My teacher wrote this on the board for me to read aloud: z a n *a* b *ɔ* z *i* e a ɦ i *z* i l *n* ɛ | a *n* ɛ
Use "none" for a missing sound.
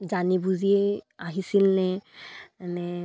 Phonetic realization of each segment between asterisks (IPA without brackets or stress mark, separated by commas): i, u, i, s, n, n